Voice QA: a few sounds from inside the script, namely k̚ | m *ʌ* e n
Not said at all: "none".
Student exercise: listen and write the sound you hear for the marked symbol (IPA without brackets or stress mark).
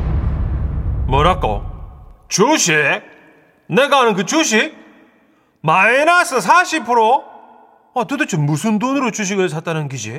a